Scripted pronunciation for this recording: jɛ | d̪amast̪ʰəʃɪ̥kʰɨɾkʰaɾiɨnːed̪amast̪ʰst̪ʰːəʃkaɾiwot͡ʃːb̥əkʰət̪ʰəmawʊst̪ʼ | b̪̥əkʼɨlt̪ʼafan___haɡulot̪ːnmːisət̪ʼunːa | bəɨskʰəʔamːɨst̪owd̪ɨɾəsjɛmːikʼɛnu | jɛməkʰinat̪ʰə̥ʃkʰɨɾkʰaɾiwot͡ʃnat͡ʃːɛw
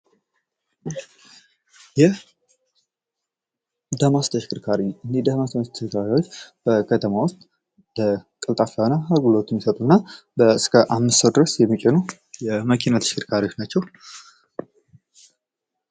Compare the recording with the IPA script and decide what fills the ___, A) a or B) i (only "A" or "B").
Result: A